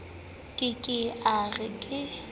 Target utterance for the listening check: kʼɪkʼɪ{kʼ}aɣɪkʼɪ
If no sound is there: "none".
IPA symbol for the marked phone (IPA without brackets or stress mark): none